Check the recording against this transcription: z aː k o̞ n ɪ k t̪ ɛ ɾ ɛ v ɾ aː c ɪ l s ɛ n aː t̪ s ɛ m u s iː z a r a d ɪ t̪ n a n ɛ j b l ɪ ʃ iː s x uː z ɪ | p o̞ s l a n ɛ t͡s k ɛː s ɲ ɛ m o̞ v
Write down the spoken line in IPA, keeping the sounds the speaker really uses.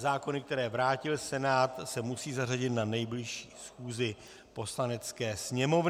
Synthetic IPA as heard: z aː k o̞ n ɪ k t̪ ɛ ɾ ɛː v ɾ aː c ɪ l s ɛ n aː t̪ s ɛ m u s iː z a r a ɟ ɪ t̪ n a n ɛ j b l ɪ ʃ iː s x uː z ɪ | p o̞ s l a n ɛ t͡s k ɛː s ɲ ɛ m o̞ v